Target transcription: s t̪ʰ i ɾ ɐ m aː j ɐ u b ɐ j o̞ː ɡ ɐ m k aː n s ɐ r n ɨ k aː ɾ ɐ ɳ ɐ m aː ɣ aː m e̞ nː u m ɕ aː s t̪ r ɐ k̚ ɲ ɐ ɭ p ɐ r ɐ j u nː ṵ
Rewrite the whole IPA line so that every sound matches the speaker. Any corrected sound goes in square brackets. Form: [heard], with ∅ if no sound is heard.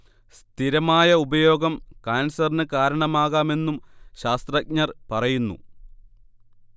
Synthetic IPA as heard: s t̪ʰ i ɾ ɐ m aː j ɐ u b ɐ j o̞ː ɡ ɐ m k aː n s ɐ r n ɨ k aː ɾ ɐ ɳ ɐ m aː ɣ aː m e̞ nː u m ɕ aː s t̪ r ɐ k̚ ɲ ɐ [r] p ɐ r ɐ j u nː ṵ